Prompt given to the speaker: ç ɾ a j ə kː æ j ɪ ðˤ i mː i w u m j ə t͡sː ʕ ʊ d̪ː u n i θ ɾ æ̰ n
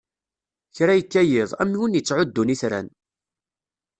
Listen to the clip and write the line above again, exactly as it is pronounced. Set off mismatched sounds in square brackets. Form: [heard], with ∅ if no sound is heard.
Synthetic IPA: ç ɾ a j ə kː æ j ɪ ðˤ [æ] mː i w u [n] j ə t͡sː ʕ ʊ d̪ː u n i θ ɾ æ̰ n